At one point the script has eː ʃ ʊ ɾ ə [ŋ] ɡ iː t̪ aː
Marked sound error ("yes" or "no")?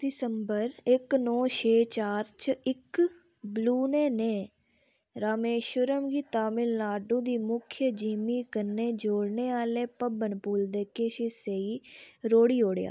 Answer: yes